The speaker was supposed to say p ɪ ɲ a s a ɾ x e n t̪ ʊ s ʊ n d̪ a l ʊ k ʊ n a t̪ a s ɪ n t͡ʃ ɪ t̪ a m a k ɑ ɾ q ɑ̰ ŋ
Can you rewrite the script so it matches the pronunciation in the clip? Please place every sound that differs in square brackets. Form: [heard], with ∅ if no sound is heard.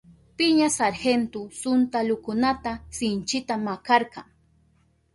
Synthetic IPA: p ɪ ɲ a s a ɾ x e n t̪ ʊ s ʊ n [t̪] a l ʊ k ʊ n a t̪ a s ɪ n t͡ʃ ɪ t̪ a m a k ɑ ɾ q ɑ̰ ŋ